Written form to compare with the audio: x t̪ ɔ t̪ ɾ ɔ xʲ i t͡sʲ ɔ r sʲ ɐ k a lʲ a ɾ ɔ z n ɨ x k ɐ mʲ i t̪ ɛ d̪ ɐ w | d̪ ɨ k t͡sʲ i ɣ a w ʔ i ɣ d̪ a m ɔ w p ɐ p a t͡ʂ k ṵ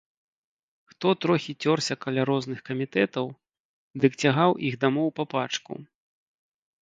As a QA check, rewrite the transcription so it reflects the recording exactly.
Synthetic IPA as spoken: x t̪ ɔ t̪ ɾ ɔ xʲ i t͡sʲ ɔ r sʲ ɐ k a lʲ a ɾ ɔ z n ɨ x k ɐ mʲ i t̪ ɛ t̪ ɐ w | d̪ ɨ k t͡sʲ a ɣ a w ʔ i ɣ d̪ a m ɔ w p ɐ p a t͡ʂ k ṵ